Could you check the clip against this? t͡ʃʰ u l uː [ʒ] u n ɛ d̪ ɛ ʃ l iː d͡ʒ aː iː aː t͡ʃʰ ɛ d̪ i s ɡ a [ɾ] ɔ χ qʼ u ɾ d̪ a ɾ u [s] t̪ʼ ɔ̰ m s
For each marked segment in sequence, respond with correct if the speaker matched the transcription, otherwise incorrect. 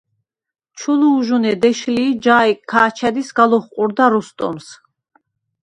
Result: correct, incorrect, correct

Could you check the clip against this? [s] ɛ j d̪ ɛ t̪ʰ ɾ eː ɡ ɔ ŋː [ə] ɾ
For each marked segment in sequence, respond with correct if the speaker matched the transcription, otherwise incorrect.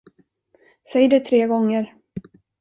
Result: correct, correct

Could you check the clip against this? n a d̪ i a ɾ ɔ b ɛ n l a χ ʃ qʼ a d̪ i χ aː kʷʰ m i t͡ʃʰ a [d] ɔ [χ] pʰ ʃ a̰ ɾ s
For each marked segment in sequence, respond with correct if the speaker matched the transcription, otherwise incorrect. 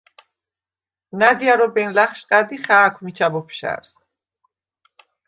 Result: incorrect, incorrect

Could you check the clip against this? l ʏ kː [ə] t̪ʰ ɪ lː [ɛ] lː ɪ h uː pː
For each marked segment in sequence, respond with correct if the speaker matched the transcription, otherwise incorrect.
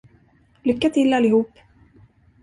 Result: incorrect, incorrect

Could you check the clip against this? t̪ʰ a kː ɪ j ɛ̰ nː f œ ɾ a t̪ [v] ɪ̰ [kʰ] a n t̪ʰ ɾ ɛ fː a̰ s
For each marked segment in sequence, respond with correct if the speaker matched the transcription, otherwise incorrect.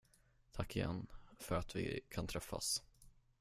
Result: correct, correct

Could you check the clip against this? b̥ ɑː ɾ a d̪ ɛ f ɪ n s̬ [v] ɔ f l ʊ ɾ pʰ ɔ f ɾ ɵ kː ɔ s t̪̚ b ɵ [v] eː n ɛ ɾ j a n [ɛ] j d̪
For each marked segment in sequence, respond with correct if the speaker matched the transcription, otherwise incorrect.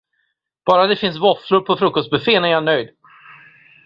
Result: correct, incorrect, incorrect

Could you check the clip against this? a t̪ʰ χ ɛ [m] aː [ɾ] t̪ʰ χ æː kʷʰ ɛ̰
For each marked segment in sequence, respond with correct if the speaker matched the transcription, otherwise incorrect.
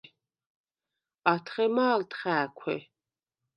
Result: correct, incorrect

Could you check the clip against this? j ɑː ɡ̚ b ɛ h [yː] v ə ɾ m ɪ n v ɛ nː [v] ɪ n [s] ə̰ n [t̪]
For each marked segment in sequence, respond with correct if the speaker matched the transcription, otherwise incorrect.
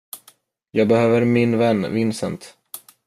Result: incorrect, correct, correct, correct

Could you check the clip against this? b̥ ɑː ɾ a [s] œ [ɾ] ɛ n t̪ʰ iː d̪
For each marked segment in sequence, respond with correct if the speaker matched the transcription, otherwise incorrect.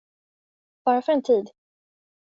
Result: incorrect, correct

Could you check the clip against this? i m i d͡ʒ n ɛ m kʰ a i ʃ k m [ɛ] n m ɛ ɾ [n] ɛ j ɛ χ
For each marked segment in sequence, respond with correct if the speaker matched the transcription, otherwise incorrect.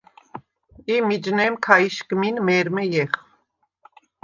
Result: incorrect, incorrect

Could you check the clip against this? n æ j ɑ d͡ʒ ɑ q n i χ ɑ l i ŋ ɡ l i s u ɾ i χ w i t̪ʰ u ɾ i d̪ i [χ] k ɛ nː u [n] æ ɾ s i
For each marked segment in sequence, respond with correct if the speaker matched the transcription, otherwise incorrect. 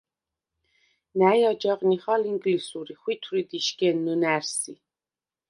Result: incorrect, correct

